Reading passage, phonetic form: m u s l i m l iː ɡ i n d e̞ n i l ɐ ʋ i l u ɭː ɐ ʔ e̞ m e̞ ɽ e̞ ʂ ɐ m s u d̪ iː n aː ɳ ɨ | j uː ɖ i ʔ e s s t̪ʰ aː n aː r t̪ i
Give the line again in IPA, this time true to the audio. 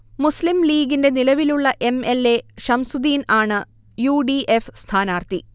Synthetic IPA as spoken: m u s l i m l iː ɡ i n d e̞ n i l ɐ ʋ i l u ɭː ɐ ʔ e̞ m e̞ l e̞ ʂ ɐ m s u d̪ iː n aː ɳ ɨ | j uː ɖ i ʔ e f s t̪ʰ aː n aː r t̪ i